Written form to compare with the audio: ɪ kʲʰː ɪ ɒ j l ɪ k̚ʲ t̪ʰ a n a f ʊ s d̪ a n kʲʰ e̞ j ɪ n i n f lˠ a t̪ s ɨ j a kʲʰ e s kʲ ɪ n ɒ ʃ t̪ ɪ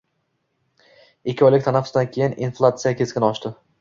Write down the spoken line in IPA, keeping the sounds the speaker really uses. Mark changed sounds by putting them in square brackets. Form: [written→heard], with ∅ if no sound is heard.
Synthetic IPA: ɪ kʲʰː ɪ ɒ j l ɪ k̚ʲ t̪ʰ a n a f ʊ s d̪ a n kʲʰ e̞ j ɪ n i n f lˠ a t̪ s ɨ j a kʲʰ e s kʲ ɪ n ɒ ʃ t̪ ɪ